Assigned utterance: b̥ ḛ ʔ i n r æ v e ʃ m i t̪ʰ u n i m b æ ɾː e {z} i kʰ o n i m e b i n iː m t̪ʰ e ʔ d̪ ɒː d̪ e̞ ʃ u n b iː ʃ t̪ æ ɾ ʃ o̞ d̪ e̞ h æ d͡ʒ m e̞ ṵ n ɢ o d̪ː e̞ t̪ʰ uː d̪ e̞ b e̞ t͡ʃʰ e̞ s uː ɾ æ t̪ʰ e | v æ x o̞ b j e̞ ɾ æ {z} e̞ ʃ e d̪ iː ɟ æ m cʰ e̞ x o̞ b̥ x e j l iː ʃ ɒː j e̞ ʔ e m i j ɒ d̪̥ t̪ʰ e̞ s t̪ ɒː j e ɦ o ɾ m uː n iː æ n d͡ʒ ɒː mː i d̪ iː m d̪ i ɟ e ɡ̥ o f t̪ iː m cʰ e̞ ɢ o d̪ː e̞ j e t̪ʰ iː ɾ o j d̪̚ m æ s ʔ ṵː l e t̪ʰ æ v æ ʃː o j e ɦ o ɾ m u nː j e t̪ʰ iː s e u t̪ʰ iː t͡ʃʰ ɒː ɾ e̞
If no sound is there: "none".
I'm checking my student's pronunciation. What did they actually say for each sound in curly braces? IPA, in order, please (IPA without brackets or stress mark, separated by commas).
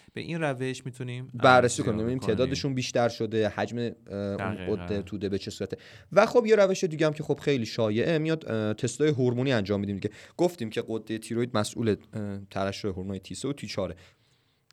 s, v